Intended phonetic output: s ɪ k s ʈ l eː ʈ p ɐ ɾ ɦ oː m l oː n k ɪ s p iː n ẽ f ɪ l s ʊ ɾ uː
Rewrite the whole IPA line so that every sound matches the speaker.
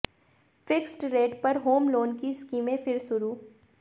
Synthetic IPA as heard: f ɪ k s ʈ ɾ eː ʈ p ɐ ɾ ɦ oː m l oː n k i s k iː m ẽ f ɪ ɾ s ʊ ɾ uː

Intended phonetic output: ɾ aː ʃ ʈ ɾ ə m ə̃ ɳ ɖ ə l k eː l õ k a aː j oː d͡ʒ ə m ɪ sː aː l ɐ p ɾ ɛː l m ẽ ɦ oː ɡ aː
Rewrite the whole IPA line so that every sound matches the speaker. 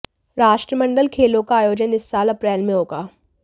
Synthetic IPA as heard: ɾ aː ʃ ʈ ɾ ə m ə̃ ɳ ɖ ə l kʰ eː l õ k a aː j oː d͡ʒ ə n ɪ sː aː l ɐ p ɾ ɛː l m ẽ ɦ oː ɡ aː

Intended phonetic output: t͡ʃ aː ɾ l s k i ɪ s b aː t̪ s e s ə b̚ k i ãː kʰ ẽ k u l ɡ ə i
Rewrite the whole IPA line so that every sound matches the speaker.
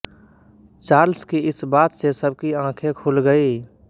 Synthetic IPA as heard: t͡ʃ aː ɾ l s k i ɪ s b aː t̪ s e s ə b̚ k i ãː kʰ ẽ kʰ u l ɡ ə i

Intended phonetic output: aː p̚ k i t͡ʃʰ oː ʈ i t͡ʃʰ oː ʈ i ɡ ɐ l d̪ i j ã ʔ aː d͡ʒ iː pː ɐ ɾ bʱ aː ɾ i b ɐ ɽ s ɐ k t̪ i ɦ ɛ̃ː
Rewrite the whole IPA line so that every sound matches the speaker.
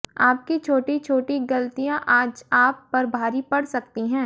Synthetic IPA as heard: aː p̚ k i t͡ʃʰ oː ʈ i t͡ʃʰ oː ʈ i ɡ ɐ l t̪ i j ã ʔ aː d͡ʒ aː pː ɐ ɾ bʱ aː ɾ i p ɐ ɽ s ɐ k t̪ i ɦ ɛ̃ː

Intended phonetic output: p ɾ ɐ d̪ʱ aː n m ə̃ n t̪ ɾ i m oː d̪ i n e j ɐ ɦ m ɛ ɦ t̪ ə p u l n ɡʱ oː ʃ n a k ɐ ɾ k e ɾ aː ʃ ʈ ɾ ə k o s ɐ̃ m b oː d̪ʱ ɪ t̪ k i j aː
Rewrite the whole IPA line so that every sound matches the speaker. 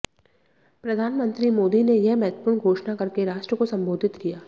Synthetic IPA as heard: p ɾ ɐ d̪ʱ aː n m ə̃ n t̪ ɾ i m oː d̪ i n e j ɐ ɦ m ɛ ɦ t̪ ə p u ɾ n ɡʱ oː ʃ n a k ɐ ɾ k e ɾ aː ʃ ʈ ɾ ə k o s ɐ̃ m b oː d̪ʱ ɪ t̪ k i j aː

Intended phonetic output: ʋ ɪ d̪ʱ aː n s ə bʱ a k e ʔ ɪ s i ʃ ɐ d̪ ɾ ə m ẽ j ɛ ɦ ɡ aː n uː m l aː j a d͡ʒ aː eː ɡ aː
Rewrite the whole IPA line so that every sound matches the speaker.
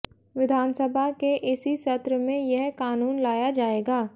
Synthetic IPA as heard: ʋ ɪ d̪ʱ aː n s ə bʱ a k e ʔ ɪ s i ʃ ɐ t̪ ɾ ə m ẽ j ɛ ɦ k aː n uː n l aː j a d͡ʒ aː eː ɡ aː

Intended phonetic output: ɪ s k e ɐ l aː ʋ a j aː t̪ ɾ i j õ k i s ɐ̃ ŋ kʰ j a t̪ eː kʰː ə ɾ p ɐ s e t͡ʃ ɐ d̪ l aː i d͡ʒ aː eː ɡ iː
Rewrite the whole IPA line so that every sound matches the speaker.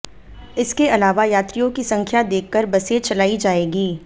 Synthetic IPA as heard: ɪ s k e ɐ l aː ʋ a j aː t̪ ɾ i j õ k i s ɐ̃ ŋ kʰ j a d̪ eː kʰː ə ɾ b ɐ s e t͡ʃ ɐ l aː i d͡ʒ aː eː ɡ iː

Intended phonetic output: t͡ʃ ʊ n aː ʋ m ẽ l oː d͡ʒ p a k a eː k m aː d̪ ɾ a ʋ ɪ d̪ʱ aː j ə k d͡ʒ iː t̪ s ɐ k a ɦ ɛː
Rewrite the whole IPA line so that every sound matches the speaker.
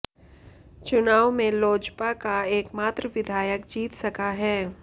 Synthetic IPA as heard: t͡ʃ ʊ n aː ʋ m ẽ l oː d͡ʒ p a k a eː k m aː t̪ ɾ ə ʋ ɪ d̪ʱ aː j ə k d͡ʒ iː t̪ s ɐ k a ɦ ɛː

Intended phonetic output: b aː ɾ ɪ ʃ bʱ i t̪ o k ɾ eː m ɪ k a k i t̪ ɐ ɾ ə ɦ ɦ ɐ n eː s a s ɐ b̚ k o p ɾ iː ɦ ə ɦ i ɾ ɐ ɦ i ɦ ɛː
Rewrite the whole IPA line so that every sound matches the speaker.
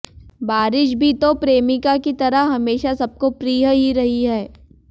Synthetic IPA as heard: b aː ɾ ɪ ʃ bʱ i t̪ o p ɾ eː m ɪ k a k i t̪ ɐ ɾ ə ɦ ɦ ɐ m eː ʃ a s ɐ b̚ k o p ɾ iː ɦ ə ɦ i ɾ ɐ ɦ i ɦ ɛː

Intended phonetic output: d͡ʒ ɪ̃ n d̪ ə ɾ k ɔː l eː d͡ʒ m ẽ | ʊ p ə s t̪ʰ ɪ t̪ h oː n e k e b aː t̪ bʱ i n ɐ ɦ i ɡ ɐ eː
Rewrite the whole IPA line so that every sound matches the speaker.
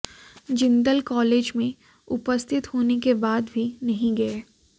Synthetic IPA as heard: d͡ʒ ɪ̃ n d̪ ə l k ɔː l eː d͡ʒ m ẽ | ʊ p ə s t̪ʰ ɪ t̪ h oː n e k e b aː d̪ bʱ i n ɐ ɦ ĩ ɡ ɐ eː

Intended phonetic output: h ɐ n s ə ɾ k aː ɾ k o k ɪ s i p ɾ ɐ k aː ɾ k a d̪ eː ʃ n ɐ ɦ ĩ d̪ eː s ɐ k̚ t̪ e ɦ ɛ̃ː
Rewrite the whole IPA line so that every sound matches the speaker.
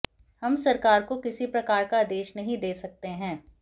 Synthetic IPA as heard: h ɐ m s ɐ ɾ k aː ɾ k o k ɪ s i p ɾ ɐ k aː ɾ k a d̪ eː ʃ n ɐ ɦ ĩ d̪ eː s ɐ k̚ t̪ e ɦ ɛ̃ː

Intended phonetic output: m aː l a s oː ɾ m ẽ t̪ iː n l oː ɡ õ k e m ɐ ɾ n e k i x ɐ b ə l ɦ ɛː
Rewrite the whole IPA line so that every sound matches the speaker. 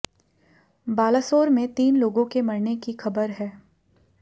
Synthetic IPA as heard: b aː l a s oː ɾ m ẽ t̪ iː n l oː ɡ õ k e m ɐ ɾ n e k i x ɐ b ə ɾ ɦ ɛː

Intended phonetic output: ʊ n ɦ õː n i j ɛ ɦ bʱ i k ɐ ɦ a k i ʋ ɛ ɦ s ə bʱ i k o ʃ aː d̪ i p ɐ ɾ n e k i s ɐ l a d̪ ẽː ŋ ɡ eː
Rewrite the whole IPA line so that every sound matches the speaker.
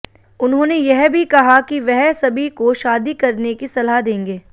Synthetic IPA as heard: ʊ n ɦ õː n e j ɛ ɦ bʱ i k ɐ ɦ a k i ʋ ɛ ɦ s ɐ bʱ i k o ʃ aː d̪ i k ɐ ɾ n e k i s ɐ l a d̪ ẽː ŋ ɡ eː

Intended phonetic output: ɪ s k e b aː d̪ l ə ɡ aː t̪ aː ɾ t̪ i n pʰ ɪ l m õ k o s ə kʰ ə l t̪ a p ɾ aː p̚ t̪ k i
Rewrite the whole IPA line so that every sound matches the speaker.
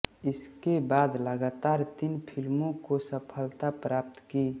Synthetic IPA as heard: ɪ s k e b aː d̪ l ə ɡ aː t̪ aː ɾ t̪ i n pʰ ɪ l m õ k o s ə pʰ ə l t̪ a p ɾ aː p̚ t̪ k i

